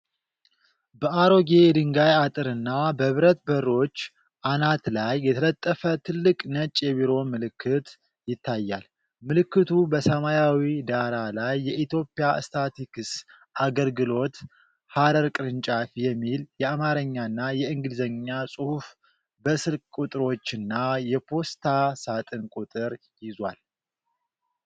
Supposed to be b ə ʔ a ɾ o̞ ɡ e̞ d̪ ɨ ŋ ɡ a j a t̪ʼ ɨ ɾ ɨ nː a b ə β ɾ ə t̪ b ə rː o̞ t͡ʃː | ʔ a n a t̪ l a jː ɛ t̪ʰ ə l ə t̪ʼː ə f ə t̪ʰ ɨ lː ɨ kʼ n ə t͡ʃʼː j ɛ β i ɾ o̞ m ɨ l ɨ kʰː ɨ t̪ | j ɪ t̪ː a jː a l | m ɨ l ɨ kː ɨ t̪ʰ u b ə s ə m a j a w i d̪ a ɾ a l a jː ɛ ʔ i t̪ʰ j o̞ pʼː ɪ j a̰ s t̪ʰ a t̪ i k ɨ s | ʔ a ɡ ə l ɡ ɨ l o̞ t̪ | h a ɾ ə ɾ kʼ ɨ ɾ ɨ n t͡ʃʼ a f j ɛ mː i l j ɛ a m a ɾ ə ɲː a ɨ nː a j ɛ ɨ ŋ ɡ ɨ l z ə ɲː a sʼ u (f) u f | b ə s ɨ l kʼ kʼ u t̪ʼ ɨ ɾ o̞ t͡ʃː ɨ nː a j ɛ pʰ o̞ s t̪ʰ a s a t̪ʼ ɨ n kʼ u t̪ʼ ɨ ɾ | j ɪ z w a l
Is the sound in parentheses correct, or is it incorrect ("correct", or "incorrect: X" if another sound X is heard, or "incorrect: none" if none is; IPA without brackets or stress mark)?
incorrect: h